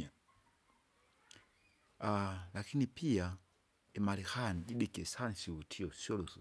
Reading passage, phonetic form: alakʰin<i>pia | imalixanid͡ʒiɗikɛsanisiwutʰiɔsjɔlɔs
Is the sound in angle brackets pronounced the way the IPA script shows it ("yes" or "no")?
yes